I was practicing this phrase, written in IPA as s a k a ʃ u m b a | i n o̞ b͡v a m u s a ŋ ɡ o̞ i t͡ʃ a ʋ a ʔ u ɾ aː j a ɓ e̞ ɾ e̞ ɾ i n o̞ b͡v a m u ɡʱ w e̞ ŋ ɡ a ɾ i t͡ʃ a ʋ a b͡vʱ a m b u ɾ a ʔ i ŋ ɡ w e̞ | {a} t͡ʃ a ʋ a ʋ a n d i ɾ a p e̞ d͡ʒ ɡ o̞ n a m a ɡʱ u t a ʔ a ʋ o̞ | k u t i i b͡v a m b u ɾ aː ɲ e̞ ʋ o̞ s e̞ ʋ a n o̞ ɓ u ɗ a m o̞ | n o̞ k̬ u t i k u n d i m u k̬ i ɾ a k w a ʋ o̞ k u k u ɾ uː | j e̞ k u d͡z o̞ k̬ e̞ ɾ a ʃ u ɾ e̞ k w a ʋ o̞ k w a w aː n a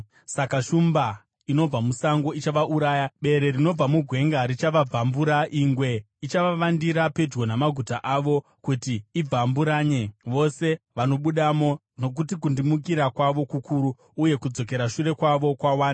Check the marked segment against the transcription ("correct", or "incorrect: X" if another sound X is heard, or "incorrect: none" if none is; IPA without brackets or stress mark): incorrect: i